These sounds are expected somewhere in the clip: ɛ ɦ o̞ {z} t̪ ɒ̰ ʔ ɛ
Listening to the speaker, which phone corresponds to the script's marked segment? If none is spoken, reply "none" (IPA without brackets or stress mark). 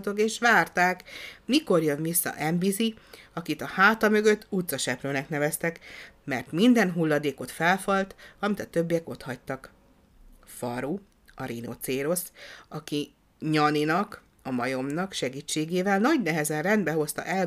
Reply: s